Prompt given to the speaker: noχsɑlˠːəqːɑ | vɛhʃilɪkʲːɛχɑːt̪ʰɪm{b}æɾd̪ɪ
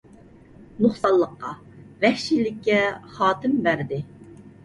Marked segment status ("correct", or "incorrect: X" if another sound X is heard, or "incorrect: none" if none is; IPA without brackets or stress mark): correct